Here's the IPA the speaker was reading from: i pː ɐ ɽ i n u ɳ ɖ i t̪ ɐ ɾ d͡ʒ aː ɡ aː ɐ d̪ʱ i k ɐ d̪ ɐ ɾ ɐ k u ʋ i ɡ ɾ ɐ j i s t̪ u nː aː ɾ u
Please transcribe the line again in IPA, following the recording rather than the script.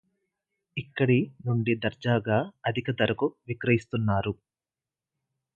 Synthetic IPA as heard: i kː ɐ ɽ i n u ɳ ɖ i d̪ ɐ ɾ d͡ʒ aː ɡ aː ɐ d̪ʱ i k ɐ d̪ ɐ ɾ ɐ k u ʋ i k ɾ ɐ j i s t̪ u nː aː ɾ u